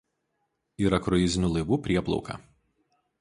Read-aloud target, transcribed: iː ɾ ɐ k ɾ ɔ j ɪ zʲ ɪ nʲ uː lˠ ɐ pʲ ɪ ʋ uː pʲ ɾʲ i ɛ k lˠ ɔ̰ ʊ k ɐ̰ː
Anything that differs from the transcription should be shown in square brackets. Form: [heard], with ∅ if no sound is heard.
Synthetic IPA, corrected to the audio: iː ɾ ɐ k ɾ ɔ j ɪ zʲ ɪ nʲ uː lˠ ɐ [∅] ɪ ʋ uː pʲ ɾʲ i ɛ [p] lˠ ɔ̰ ʊ k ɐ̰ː